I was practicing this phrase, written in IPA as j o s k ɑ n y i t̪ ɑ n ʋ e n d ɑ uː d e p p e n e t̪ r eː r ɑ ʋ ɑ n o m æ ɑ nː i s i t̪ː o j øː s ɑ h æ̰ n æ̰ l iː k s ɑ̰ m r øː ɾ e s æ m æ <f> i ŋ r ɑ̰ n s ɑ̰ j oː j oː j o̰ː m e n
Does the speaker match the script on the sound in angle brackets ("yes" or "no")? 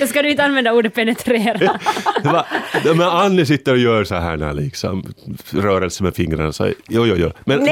yes